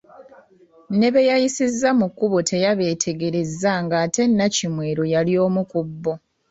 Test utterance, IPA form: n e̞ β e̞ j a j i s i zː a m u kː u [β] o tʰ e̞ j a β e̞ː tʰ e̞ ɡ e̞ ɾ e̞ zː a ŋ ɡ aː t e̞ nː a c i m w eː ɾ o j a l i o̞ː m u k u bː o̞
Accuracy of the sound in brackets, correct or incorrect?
correct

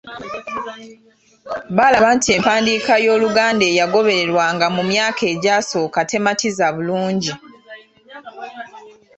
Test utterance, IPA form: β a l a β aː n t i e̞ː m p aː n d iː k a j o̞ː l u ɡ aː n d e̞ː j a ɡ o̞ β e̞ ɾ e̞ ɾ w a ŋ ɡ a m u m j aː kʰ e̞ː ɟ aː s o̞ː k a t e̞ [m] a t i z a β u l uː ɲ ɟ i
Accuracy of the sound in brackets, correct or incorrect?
correct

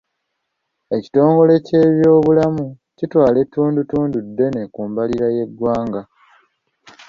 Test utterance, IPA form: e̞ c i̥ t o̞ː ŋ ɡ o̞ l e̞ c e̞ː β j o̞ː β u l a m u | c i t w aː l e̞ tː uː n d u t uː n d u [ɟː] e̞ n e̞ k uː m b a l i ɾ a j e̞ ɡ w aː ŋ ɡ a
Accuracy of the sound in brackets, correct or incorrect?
incorrect: dː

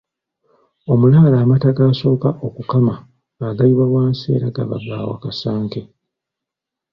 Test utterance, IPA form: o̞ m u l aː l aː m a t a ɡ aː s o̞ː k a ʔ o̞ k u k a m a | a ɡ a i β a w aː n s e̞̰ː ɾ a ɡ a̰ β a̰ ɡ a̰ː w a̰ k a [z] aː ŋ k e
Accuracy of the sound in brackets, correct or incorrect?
incorrect: s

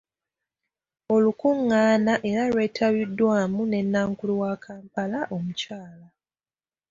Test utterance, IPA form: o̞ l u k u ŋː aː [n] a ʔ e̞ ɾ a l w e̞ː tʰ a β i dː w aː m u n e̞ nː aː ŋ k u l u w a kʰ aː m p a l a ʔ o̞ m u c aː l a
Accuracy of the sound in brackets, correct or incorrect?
correct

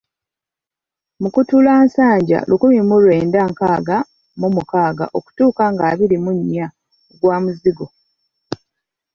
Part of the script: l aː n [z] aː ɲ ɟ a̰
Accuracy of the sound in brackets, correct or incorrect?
incorrect: s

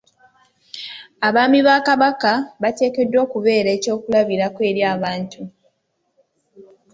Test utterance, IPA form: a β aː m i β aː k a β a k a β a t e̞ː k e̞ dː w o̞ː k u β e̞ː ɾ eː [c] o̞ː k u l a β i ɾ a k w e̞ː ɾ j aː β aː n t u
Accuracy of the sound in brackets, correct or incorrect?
correct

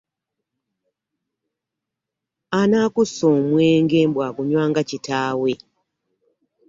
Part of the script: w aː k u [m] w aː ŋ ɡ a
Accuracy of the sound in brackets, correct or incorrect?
incorrect: ɲ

